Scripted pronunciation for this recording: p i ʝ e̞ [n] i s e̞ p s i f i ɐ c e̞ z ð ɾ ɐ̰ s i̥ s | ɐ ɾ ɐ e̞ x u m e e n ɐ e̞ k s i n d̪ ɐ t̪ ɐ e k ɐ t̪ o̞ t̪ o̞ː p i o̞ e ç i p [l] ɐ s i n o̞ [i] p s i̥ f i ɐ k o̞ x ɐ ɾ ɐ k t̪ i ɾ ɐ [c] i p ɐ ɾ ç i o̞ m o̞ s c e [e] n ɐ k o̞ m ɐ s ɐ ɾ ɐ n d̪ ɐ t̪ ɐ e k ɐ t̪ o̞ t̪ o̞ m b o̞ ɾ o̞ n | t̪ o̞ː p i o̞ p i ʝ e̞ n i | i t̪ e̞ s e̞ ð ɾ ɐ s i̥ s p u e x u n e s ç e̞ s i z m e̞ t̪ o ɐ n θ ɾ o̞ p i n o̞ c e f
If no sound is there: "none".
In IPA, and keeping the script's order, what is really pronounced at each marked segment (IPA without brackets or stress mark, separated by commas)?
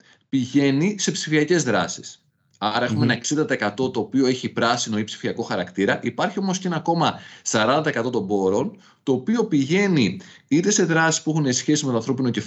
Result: n, ɾ, i, ʔ, e